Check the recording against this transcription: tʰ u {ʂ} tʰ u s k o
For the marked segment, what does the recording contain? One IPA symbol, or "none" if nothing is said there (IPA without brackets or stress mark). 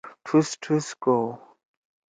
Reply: s